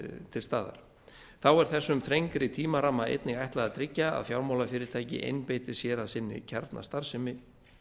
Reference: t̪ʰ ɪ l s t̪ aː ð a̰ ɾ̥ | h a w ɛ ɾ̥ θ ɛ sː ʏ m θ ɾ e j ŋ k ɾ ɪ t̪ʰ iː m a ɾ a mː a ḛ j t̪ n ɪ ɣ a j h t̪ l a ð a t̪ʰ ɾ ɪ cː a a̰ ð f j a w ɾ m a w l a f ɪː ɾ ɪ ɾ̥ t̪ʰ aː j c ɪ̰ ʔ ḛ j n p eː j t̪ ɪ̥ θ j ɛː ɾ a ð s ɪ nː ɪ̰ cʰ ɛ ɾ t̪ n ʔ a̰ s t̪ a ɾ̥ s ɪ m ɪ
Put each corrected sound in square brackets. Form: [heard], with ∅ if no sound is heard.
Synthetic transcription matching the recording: t̪ʰ ɪ l s t̪ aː ð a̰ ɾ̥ | [θ] a w ɛ ɾ̥ θ ɛ sː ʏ m θ ɾ e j ŋ k ɾ ɪ t̪ʰ iː m a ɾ a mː a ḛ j t̪ n ɪ ɣ a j h t̪ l a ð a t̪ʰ ɾ ɪ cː a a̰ ð f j a w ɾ m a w l a f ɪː ɾ ɪ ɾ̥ t̪ʰ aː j c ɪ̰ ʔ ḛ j n p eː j t̪ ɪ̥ [s] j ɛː ɾ a ð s ɪ nː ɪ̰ cʰ ɛ ɾ t̪ n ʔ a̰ s t̪ a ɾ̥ s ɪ m ɪ

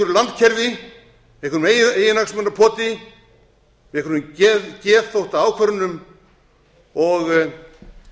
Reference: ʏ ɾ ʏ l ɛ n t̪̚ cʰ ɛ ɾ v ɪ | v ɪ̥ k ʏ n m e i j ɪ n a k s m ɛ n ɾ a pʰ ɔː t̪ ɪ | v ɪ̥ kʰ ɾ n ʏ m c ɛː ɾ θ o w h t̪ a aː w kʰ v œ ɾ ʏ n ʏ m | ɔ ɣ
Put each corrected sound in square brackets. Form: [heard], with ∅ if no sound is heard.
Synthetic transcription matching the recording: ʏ ɾ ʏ l [a] n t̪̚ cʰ ɛ ɾ v ɪ | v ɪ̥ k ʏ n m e [e] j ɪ n a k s m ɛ n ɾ a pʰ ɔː t̪ ɪ | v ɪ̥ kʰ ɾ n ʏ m c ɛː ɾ θ o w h t̪ a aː w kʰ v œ ɾ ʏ n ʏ m | ɔ ɣ

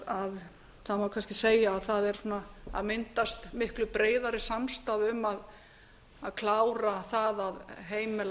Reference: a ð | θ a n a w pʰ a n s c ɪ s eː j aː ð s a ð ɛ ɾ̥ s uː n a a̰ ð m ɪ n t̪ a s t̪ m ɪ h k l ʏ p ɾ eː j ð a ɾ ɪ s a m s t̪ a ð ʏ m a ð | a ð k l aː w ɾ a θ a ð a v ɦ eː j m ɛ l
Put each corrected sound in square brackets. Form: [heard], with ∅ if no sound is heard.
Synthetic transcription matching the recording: a ð | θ a [m] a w [kʰ] a n s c ɪ s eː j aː ð [θ] a ð ɛ ɾ̥ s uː n a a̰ ð m ɪ n t̪ a s t̪ m ɪ h k l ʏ p ɾ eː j ð a ɾ ɪ s a m s t̪ a ð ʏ m a ð | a ð [kʰ] l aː w ɾ a θ a ð a [ð] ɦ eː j m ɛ l

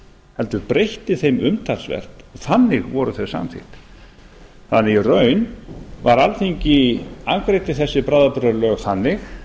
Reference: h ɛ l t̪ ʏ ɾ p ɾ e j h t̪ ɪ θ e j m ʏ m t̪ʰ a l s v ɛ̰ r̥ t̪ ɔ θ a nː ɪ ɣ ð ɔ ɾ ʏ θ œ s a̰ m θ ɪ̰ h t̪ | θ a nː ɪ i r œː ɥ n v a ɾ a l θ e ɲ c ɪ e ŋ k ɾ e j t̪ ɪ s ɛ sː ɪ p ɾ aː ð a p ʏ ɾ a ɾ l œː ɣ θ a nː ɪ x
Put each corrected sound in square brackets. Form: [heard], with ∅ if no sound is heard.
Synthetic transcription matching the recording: h ɛ l t̪ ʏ ɾ p ɾ e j h t̪ ɪ θ e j m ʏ m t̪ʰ a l s v ɛ̰ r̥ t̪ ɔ θ a nː ɪ ɣ [v] ɔ ɾ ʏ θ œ s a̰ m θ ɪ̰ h t̪ | θ a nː ɪ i r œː ɥ n v a ɾ a l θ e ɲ c ɪ [a] ŋ k ɾ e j t̪ ɪ [θ] ɛ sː ɪ p ɾ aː ð a p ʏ ɾ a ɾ l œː ɣ θ a nː ɪ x

